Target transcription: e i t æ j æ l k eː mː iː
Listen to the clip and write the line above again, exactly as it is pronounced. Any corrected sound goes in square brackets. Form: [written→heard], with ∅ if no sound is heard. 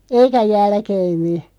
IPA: e i [t→k] æ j æ l k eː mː [iː→i]